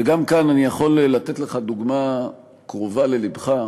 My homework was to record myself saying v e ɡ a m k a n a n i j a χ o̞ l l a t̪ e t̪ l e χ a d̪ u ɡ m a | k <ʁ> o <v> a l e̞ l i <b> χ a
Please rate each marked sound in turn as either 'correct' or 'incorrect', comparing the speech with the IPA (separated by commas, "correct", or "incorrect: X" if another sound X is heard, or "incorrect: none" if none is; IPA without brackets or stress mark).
correct, correct, correct